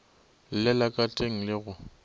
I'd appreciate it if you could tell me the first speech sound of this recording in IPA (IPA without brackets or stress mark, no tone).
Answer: l